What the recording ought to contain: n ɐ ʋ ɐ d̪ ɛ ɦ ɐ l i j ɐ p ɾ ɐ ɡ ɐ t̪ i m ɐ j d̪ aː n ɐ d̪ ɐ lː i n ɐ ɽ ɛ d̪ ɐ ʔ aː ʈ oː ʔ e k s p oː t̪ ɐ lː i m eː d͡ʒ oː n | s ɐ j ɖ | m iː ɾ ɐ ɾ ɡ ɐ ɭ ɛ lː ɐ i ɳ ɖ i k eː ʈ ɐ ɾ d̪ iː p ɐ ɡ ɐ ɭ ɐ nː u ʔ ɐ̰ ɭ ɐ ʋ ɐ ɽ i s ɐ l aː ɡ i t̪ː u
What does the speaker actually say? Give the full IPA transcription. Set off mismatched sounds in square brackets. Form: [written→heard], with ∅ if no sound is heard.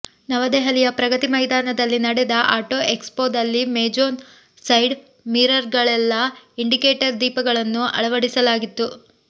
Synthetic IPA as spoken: n ɐ ʋ ɐ d̪ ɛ ɦ ɐ l i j ɐ p ɾ ɐ ɡ ɐ t̪ i m ɐ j d̪ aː n ɐ d̪ ɐ lː i n ɐ ɽ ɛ d̪ ɐ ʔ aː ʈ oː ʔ e k s p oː [t̪→d̪] ɐ lː i m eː d͡ʒ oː n | s ɐ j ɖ | m iː ɾ ɐ ɾ ɡ ɐ ɭ ɛ lː ɐ i ɳ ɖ i k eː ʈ ɐ ɾ d̪ iː p ɐ ɡ ɐ ɭ ɐ nː u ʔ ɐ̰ ɭ ɐ ʋ ɐ ɽ i s ɐ l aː ɡ i t̪ː u